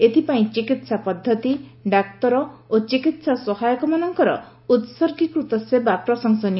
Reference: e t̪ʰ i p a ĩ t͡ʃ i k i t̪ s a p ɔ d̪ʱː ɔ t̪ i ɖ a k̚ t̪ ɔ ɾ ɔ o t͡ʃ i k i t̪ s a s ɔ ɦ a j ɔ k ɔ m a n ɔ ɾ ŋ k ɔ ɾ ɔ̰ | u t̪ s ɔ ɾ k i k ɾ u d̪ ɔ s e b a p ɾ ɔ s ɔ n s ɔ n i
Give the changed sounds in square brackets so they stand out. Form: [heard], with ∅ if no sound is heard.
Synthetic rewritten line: e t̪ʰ i p a ĩ t͡ʃ i k i t̪ s a p ɔ d̪ʱː ɔ t̪ i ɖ a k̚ t̪ ɔ ɾ ɔ o t͡ʃ i k i t̪ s a s ɔ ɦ a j ɔ k ɔ m a n ɔ [∅] ŋ k ɔ ɾ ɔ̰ | u t̪ s ɔ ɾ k i k ɾ u [t̪] ɔ s e b a p ɾ ɔ s ɔ [ŋ] s ɔ n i

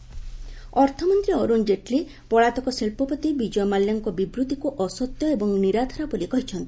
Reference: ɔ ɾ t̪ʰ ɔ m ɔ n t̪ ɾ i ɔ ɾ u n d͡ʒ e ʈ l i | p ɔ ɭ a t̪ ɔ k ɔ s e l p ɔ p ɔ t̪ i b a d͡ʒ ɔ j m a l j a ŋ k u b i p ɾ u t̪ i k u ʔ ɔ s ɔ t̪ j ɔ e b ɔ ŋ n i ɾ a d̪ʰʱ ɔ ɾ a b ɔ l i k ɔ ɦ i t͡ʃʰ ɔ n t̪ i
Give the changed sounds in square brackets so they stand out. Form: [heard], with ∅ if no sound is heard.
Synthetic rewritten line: ɔ ɾ t̪ʰ ɔ m ɔ n t̪ ɾ i ɔ ɾ u n d͡ʒ e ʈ l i | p ɔ ɭ a t̪ ɔ k ɔ s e l p ɔ p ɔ t̪ i b [i] d͡ʒ ɔ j m a l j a ŋ k [ɔ] b i [b] ɾ u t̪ i k u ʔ ɔ s ɔ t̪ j ɔ e b ɔ ŋ n i ɾ a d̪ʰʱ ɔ ɾ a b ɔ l i k ɔ ɦ i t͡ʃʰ ɔ n t̪ i

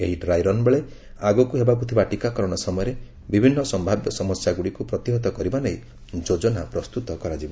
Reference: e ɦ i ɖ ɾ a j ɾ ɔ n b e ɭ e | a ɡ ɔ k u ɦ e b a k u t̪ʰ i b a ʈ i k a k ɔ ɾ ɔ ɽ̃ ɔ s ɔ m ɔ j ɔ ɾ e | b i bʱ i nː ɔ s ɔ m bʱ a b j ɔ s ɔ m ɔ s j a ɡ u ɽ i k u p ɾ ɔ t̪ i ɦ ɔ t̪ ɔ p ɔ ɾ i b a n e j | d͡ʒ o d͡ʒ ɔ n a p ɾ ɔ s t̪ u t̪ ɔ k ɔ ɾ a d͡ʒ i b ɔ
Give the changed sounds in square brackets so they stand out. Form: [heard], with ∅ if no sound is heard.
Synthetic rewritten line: e ɦ i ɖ ɾ a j ɾ ɔ n b e ɭ e | a ɡ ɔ k u ɦ e b a k u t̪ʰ i b a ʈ i k a k ɔ ɾ ɔ ɽ̃ ɔ s ɔ m ɔ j ɔ ɾ e | b i bʱ i nː ɔ s ɔ m bʱ a b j ɔ s ɔ m ɔ s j a ɡ u ɽ i k u p ɾ ɔ t̪ i ɦ ɔ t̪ ɔ [k] ɔ ɾ i b a n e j | d͡ʒ o d͡ʒ ɔ n a p ɾ ɔ s t̪ u t̪ ɔ k ɔ ɾ a d͡ʒ i b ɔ

